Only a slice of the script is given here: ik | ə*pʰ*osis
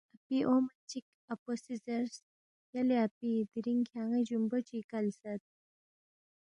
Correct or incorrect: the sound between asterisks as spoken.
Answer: incorrect: p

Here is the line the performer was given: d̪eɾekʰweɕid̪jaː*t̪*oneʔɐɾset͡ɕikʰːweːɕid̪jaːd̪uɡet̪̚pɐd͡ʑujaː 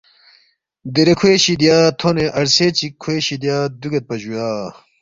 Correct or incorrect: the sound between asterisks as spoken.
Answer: incorrect: t̪ʰ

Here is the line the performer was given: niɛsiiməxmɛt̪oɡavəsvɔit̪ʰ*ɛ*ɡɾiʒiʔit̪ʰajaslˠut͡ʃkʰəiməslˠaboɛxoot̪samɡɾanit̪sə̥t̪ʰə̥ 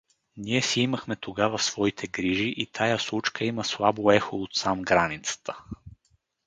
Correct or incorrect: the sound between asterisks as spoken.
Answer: correct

